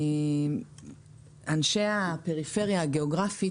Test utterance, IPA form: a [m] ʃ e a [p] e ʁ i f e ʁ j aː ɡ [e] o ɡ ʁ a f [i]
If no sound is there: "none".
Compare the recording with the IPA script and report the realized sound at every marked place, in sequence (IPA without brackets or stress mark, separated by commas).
n, p, e, i